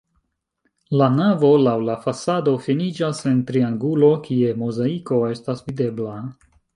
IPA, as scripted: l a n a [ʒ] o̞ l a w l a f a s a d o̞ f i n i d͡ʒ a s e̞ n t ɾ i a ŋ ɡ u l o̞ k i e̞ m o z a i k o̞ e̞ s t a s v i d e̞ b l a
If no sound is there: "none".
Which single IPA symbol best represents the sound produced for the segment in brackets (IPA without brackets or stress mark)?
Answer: v